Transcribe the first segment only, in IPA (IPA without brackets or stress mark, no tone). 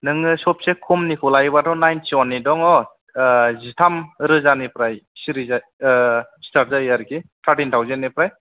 n